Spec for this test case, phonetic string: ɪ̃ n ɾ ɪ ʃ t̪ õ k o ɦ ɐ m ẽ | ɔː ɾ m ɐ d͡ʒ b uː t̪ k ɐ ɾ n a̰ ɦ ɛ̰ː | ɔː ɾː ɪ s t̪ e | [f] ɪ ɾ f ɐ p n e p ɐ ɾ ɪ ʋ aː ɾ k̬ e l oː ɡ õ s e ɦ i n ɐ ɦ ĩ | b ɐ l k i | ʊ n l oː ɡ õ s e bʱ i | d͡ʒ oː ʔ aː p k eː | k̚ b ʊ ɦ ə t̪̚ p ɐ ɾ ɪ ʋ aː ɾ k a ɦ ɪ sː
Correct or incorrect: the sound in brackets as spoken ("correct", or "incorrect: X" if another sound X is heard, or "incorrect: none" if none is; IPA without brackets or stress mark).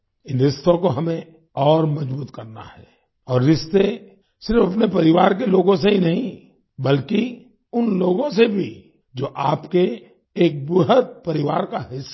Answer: incorrect: s